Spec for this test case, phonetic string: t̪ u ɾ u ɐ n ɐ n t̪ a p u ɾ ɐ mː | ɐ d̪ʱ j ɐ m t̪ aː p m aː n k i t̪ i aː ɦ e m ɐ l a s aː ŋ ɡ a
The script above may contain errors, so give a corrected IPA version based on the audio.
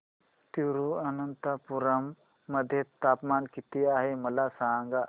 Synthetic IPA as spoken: t̪ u ɾ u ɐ n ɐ n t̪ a p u ɾ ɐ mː | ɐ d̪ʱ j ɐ t̪ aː p m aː n k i t̪ i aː ɦ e m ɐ l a s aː ŋ ɡ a